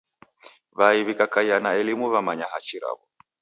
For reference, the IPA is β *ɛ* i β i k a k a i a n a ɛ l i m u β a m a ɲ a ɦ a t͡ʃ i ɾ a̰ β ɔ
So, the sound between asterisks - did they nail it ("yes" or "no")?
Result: no